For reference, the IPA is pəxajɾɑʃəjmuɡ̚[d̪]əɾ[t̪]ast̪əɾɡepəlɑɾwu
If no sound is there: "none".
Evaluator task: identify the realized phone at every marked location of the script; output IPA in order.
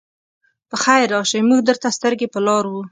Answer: d̪, t̪

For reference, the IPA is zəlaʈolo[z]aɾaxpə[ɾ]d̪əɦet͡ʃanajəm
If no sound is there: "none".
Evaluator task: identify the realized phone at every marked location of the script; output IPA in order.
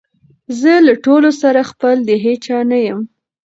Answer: s, l

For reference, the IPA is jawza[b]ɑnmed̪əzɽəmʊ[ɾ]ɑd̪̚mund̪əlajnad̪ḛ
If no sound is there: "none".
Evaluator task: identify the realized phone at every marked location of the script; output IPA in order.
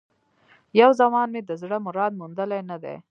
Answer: m, ɾ

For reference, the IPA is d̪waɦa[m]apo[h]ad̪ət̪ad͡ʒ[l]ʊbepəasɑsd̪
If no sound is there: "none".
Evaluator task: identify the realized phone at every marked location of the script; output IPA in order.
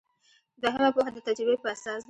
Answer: m, x, ɾ

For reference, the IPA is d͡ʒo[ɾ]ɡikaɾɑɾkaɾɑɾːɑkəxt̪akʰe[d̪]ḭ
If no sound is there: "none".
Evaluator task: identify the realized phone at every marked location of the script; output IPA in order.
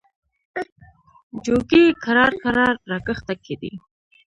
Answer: none, d̪

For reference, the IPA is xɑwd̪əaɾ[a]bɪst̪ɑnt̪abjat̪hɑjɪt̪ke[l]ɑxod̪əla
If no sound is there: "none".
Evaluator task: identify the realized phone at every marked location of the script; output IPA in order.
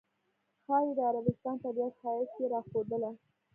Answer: a, ɾ

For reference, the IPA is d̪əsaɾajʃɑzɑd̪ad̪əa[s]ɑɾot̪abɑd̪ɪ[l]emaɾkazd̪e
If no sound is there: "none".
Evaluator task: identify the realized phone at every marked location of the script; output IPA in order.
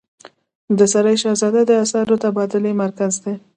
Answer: s, l

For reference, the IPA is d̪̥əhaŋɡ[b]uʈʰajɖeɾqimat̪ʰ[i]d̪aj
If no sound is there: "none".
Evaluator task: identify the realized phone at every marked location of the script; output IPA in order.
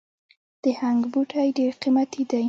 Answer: b, i

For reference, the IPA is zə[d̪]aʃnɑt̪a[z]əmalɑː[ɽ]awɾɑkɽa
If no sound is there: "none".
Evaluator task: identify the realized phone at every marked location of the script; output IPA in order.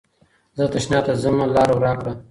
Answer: t̪, z, ɾ

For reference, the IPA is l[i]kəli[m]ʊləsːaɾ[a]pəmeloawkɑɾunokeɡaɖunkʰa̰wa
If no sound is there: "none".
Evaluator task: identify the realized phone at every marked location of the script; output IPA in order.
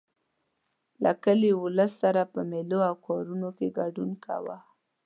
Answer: a, none, a

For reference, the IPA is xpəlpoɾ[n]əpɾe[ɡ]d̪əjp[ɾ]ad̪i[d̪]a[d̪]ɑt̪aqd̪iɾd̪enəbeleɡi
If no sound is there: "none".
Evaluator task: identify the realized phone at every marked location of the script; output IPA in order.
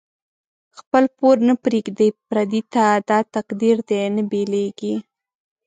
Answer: n, ɡ, ɾ, t̪, d̪

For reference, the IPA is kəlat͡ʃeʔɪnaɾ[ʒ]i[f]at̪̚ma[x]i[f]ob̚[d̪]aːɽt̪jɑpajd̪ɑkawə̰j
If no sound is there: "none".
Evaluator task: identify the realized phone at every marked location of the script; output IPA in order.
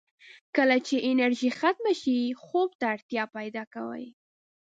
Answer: ʒ, x, ʃ, x, t̪

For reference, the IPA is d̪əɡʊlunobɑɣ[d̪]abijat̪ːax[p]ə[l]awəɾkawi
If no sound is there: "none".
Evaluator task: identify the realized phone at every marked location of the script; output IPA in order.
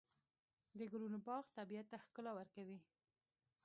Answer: t̪, k, l

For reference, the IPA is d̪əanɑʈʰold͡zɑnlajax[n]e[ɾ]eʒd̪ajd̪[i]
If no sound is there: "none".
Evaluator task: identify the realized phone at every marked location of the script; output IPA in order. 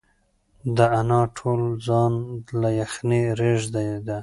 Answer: n, ɾ, a

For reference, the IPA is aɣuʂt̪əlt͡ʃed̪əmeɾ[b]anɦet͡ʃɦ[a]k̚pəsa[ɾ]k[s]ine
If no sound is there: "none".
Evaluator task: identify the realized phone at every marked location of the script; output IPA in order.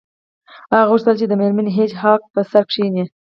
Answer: m, ɑ, ɾ, ʂ

